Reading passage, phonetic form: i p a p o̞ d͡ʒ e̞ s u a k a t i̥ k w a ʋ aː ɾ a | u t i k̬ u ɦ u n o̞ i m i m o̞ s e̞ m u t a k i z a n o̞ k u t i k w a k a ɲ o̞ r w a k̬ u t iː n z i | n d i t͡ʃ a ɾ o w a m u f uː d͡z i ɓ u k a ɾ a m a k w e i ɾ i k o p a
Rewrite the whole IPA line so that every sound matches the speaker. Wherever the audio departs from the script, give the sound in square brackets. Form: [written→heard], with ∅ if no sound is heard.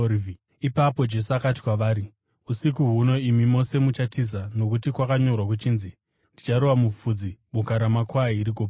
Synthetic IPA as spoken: i p a p o̞ d͡ʒ e̞ s u a k a t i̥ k w a ʋ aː ɾ [a→i] | u [t→s] i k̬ u ɦ u n o̞ i m i m o̞ s e̞ m u [t→t͡ʃ] a [k→t] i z a n o̞ k u t i k w a k a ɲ o̞ r w a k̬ u [t→t͡ʃ] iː n z i | n d i t͡ʃ a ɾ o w a m u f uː d͡z i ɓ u k a ɾ a m a k w [e→a] i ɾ i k o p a